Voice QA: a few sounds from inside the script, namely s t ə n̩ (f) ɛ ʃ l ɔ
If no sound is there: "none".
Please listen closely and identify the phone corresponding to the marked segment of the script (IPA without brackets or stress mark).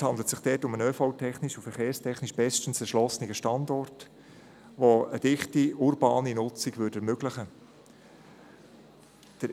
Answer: s